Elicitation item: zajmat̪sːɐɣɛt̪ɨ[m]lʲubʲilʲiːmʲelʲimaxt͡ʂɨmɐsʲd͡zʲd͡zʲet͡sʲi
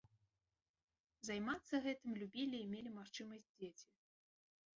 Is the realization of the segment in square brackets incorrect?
no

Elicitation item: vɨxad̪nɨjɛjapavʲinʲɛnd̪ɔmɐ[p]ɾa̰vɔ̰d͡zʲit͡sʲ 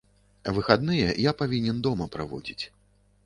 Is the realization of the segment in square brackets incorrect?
no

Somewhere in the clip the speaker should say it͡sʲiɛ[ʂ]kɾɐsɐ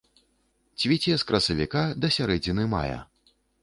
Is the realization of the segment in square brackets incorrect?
yes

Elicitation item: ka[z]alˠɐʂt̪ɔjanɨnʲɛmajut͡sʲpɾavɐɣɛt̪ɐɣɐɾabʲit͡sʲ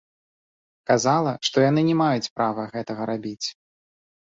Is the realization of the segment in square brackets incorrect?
no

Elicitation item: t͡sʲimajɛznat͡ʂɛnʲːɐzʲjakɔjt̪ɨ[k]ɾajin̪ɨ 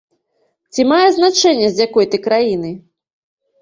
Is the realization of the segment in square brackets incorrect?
no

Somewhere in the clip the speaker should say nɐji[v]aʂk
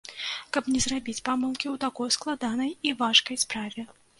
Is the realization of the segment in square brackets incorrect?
no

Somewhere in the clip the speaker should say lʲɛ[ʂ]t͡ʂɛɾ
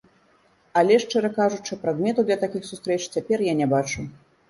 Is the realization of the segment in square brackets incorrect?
no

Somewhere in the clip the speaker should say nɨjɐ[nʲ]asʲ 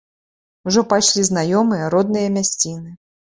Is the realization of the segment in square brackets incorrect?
yes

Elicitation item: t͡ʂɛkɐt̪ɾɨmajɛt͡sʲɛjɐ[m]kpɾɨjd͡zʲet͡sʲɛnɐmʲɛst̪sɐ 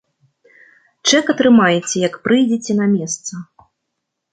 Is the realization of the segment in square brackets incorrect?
yes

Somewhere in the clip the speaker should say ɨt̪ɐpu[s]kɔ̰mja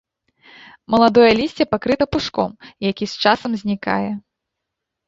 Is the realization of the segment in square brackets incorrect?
yes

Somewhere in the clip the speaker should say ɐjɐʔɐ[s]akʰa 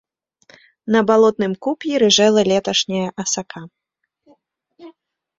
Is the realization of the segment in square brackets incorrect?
no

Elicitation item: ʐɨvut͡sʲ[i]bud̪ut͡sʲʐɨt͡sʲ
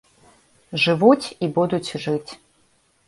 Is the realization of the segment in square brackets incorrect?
no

